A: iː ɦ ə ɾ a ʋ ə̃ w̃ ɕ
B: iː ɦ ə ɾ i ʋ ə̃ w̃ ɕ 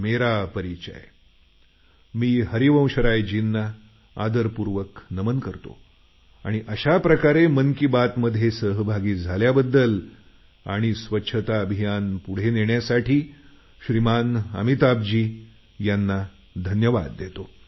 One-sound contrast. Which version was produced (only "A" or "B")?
B